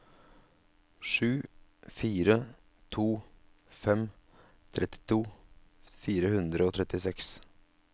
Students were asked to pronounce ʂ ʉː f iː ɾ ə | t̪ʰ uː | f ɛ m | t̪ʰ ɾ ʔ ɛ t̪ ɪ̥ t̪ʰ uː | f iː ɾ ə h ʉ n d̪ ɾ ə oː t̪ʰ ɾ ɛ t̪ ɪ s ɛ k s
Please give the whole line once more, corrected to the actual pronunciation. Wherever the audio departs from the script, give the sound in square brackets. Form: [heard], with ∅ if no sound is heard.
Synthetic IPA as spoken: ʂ ʉː f iː ɾ ə | t̪ʰ uː | f ɛ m | t̪ʰ ɾ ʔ ɛ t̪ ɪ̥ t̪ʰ uː | f iː ɾ ə h ʉ n d̪ ɾ ə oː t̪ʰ ɾ ɛ t̪ ɪ s ɛ k s